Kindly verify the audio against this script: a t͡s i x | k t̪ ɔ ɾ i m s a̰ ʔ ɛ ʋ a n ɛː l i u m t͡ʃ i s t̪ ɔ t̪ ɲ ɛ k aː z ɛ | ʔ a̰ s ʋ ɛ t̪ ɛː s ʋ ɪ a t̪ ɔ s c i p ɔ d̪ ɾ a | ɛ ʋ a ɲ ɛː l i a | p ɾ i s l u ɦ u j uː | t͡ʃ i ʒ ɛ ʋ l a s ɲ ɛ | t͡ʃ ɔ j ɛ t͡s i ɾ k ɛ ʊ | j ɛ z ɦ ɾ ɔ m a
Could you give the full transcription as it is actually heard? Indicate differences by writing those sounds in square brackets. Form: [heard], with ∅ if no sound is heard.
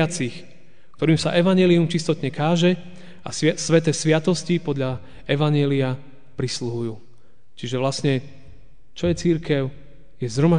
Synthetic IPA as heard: a t͡s i x | k t̪ ɔ ɾ [iː] m s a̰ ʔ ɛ ʋ a [ɲ] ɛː l i u m t͡ʃ i s t̪ ɔ t̪ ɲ ɛ k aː [ʒ] ɛ | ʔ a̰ s ʋ ɛ t̪ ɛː s ʋ ɪ a t̪ ɔ s c i p ɔ d̪ [ʎ] a | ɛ ʋ a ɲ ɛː l i a | p ɾ i s l u ɦ u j uː | t͡ʃ i ʒ ɛ ʋ l a s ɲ ɛ | t͡ʃ ɔ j ɛ t͡s i ɾ k ɛ ʊ | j ɛ z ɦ ɾ ɔ m a